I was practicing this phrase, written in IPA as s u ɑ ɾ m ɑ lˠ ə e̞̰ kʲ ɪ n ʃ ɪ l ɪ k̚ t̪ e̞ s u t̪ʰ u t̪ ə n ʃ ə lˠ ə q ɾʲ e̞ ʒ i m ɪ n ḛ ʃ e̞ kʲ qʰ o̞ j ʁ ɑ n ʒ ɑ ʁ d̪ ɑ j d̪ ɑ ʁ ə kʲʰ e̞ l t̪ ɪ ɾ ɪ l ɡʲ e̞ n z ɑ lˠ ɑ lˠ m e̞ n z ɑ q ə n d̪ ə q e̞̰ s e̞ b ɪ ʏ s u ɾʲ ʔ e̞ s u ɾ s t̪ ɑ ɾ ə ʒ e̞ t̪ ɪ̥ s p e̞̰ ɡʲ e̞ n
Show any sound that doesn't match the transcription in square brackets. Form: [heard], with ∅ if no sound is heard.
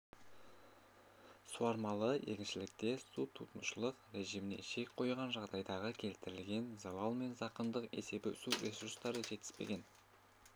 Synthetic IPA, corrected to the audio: s u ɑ ɾ m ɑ lˠ ə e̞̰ kʲ ɪ n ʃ ɪ l ɪ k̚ t̪ e̞ s u t̪ʰ u t̪ ə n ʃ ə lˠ ə q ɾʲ e̞ ʒ i m ɪ n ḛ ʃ e̞ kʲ qʰ o̞ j ʁ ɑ n ʒ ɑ ʁ d̪ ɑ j d̪ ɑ ʁ ə kʲʰ e̞ l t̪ ɪ ɾ ɪ l ɡʲ e̞ n z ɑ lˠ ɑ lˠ m e̞ n z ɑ q ə n d̪ ə q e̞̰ s e̞ b ɪ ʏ s u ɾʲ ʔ e̞ s u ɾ s t̪ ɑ ɾ ə ʒ e̞ t̪ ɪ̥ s p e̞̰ ɡʲ e̞ n